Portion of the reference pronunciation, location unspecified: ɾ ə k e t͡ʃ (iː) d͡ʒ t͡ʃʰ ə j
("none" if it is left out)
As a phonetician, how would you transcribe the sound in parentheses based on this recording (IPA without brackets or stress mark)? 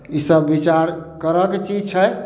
i